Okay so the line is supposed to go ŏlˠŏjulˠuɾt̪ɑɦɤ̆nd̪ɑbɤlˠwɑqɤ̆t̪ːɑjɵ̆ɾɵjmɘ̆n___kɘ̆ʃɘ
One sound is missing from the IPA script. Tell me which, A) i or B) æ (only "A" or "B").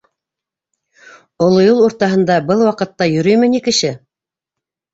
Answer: A